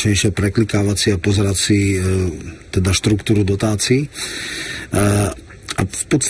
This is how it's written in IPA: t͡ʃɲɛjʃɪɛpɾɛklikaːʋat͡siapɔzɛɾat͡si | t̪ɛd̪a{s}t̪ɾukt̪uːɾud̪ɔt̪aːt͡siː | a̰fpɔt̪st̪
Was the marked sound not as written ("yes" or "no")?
yes